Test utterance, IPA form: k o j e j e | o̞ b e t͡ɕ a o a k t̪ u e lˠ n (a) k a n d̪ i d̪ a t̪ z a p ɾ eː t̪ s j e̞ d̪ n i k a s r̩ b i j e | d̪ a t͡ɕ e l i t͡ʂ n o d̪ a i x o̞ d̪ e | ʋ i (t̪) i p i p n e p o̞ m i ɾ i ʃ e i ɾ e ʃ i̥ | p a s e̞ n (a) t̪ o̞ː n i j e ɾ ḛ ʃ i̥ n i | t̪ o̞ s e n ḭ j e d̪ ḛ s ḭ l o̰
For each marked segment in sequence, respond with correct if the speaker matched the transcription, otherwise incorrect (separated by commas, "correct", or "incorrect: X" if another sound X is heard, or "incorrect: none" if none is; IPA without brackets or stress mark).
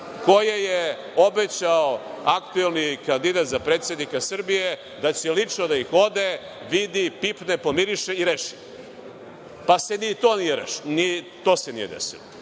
incorrect: i, incorrect: d̪, incorrect: i